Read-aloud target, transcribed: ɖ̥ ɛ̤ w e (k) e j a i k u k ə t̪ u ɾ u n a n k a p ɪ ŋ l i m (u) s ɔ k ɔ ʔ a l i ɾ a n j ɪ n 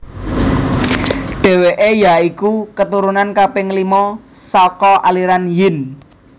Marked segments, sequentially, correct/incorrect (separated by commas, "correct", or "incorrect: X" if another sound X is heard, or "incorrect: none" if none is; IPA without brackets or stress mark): incorrect: ʔ, incorrect: ɔ